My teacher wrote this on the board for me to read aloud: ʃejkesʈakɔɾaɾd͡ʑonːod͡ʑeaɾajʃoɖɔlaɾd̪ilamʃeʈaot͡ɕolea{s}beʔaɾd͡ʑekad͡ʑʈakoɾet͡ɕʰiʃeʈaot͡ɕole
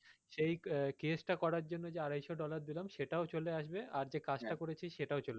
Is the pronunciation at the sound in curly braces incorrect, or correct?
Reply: incorrect